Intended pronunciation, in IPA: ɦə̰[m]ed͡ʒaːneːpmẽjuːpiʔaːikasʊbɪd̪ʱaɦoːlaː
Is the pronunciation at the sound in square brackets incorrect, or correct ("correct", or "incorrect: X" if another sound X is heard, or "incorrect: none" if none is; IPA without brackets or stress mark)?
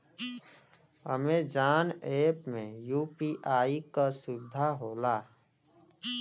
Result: correct